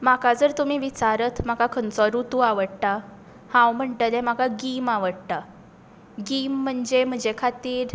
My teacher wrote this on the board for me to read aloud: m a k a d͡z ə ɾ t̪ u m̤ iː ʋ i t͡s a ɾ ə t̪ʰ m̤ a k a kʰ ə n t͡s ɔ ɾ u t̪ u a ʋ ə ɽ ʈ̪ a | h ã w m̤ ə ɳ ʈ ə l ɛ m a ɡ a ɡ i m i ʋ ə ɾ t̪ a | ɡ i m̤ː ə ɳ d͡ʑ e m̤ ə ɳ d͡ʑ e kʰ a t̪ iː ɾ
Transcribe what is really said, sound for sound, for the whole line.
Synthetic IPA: m a k a d͡z ə ɾ t̪ u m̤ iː ʋ i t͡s a ɾ ə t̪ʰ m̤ a k a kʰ ə n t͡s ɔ ɾ u t̪ u a ʋ ə ɽ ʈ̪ a | h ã w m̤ ə ɳ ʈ ə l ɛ m a k a ɡ i m a ʋ ə ɽ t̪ a | ɡ i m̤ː ə ɳ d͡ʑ e m̤ ə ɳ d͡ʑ e kʰ a t̪ iː ɾ